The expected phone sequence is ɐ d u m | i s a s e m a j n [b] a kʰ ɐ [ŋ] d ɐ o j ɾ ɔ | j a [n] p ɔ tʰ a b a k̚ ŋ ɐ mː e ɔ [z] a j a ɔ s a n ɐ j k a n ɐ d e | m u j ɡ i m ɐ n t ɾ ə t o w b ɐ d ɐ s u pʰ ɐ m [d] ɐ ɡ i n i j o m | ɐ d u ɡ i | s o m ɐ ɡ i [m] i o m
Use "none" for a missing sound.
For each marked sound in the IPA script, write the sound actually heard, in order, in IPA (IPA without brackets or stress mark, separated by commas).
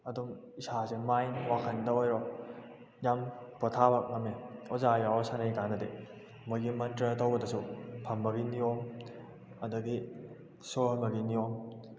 w, n, m, z, b, n